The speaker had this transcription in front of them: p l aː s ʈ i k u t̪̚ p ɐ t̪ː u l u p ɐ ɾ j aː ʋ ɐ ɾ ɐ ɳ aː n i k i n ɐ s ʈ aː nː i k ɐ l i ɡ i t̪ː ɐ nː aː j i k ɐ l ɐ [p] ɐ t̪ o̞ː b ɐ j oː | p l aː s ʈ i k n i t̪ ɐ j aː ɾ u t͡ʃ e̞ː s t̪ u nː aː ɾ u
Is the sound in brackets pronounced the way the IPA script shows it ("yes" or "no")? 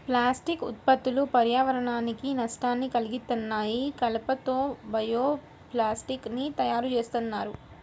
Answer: yes